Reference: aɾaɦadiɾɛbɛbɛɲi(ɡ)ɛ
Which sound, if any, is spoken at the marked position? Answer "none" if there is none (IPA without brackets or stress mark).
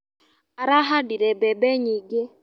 ɡ